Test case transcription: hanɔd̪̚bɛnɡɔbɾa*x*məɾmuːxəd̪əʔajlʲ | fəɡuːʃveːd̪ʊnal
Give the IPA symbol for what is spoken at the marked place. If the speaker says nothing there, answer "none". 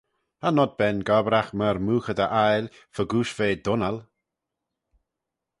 x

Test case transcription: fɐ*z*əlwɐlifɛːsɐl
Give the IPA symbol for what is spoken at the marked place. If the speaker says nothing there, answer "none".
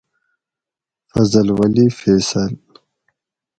z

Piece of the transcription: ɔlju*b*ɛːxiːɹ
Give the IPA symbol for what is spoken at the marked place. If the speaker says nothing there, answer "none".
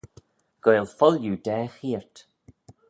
d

